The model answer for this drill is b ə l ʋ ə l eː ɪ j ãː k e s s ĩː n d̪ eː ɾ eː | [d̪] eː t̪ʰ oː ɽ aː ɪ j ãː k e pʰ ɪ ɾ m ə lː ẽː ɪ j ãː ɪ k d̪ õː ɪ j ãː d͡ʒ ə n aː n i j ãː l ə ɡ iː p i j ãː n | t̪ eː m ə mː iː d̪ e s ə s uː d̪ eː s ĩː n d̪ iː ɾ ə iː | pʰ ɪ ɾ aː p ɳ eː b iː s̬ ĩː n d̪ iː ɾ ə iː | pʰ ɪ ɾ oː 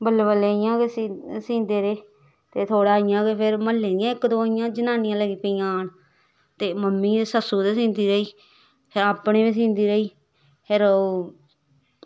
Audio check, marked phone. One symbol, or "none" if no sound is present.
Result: t̪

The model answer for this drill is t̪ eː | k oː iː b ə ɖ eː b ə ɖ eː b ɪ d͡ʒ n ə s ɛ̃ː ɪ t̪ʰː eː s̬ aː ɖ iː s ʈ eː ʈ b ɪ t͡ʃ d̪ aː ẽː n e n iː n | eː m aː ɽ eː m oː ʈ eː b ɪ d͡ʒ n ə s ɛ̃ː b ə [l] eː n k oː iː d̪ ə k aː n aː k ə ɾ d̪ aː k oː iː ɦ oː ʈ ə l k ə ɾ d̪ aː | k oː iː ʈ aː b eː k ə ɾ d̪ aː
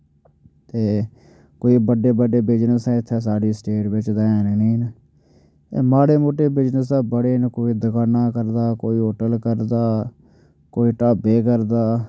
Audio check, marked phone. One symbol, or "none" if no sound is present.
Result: ɽ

